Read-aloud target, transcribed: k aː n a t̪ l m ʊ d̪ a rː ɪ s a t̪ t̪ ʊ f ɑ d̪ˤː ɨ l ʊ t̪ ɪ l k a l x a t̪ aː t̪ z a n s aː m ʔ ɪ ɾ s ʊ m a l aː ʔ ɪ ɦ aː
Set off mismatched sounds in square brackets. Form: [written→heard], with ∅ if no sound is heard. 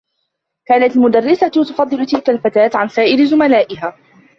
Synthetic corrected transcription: k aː n a t̪ l m ʊ d̪ a rː ɪ s a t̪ t̪ ʊ f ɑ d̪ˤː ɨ l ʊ t̪ ɪ l k a l [x→f] a t̪ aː t̪ [z→ʕ] a n s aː [m→∅] ʔ ɪ ɾ [s→z] ʊ m a l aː ʔ ɪ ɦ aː